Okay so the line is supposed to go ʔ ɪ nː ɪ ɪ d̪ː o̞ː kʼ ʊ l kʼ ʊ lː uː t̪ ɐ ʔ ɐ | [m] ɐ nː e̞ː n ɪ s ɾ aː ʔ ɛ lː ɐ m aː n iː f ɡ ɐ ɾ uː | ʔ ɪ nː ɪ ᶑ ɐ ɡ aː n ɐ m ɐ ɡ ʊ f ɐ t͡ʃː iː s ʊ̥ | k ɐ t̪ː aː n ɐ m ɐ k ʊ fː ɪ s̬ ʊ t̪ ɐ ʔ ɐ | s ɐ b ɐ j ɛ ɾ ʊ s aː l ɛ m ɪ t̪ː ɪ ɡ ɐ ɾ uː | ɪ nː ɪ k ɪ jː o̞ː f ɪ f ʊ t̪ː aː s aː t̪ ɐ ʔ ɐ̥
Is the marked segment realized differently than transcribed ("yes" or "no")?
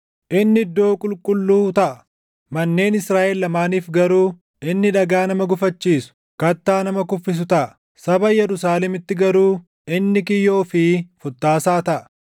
no